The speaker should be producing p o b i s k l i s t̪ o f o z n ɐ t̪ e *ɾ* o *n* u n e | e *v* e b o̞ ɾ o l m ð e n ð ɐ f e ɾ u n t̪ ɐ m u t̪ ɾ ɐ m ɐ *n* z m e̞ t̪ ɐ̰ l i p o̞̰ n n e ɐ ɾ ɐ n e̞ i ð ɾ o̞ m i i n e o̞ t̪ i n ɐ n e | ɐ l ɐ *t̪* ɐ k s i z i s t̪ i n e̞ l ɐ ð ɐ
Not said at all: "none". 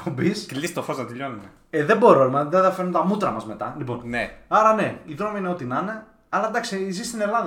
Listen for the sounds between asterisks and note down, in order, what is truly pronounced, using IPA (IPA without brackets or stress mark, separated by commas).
ʎ, n, ð, none, d̪